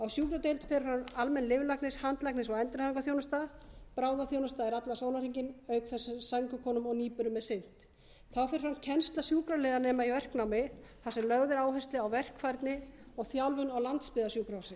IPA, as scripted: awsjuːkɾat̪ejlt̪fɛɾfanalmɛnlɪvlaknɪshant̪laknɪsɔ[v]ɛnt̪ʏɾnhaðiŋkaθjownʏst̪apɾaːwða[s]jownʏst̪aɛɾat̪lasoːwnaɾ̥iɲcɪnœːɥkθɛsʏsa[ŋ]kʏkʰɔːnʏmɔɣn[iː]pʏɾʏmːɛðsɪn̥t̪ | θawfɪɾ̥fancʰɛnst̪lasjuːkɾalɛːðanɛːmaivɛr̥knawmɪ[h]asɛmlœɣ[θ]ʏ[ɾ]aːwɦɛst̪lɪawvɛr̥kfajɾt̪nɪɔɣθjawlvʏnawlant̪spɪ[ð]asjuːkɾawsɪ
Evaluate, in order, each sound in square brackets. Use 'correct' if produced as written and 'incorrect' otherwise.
incorrect, incorrect, correct, correct, incorrect, incorrect, correct, correct

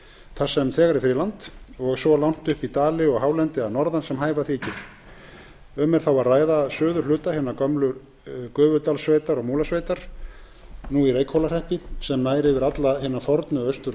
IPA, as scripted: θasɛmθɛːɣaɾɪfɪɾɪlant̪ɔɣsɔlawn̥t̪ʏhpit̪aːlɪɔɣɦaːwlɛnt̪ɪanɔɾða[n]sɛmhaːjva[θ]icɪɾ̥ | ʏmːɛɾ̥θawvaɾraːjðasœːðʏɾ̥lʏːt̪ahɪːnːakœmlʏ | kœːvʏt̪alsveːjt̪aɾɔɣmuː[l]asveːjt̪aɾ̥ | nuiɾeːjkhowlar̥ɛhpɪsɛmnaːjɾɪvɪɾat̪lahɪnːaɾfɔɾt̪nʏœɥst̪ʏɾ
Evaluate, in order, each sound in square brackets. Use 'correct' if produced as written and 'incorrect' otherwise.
correct, correct, correct

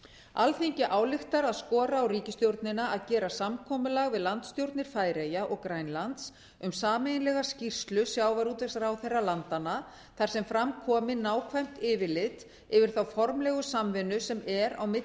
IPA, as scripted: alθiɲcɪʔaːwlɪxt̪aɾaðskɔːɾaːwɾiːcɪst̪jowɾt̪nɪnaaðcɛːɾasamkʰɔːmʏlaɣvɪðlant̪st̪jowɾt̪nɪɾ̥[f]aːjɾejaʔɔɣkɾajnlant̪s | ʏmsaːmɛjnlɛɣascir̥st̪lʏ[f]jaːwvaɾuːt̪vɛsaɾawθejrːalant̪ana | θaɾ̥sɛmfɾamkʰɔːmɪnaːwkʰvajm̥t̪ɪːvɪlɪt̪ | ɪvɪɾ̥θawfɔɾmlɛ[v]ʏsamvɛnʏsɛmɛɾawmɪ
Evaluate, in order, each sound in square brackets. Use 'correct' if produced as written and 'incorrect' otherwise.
correct, incorrect, incorrect

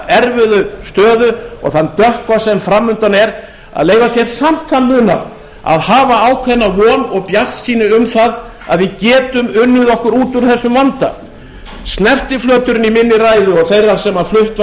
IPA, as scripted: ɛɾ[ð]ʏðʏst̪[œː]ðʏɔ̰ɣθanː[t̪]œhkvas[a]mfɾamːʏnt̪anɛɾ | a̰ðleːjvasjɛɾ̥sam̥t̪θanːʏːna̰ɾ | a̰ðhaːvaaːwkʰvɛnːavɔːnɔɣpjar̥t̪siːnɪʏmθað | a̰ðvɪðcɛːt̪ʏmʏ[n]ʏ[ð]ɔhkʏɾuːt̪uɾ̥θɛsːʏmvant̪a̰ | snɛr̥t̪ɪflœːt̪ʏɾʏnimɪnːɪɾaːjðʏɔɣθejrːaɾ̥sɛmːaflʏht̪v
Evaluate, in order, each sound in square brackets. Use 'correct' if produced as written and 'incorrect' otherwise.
incorrect, correct, correct, incorrect, incorrect, correct

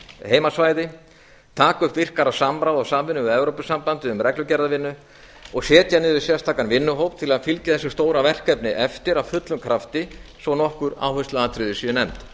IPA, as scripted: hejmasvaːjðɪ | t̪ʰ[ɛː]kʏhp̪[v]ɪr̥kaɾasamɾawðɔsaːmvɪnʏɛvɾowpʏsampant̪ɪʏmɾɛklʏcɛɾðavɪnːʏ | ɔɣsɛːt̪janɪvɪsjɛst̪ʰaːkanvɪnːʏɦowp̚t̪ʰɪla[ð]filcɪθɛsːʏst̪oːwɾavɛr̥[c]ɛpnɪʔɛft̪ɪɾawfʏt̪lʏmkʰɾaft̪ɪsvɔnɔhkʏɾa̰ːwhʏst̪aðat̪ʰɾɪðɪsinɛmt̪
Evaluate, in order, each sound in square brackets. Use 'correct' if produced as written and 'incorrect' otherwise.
incorrect, correct, correct, incorrect

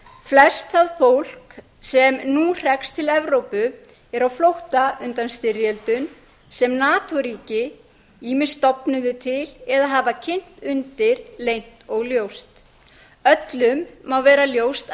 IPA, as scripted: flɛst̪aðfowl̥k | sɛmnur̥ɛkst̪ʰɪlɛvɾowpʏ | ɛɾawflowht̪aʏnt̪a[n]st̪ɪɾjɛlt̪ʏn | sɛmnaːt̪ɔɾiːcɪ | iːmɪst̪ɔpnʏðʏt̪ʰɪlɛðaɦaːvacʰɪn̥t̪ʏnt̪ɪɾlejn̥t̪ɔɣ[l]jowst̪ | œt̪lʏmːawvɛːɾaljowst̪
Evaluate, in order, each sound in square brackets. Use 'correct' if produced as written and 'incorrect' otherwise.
correct, correct

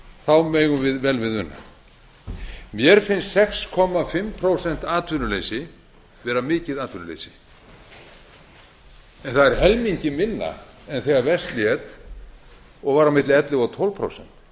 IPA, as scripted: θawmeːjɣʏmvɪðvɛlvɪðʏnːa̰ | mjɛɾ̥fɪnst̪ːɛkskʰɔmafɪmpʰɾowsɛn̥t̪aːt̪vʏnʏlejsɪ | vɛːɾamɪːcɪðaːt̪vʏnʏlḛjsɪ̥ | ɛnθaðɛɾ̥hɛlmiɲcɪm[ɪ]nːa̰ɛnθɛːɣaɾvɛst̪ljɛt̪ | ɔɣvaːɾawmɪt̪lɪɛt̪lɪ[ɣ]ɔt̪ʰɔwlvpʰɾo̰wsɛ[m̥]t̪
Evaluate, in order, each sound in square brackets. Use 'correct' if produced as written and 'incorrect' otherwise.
correct, correct, incorrect

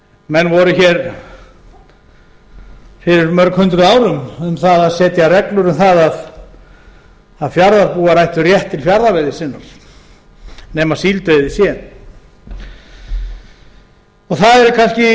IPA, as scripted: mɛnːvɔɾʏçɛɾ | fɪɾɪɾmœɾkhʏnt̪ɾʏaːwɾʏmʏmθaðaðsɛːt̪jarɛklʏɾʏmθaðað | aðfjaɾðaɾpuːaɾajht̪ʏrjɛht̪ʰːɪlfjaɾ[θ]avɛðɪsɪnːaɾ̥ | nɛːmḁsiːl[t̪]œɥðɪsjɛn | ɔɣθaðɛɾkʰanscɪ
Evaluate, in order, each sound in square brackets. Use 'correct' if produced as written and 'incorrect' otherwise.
incorrect, correct

